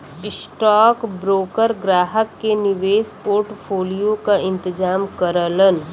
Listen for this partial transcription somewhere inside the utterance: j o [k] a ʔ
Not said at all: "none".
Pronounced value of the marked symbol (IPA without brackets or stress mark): k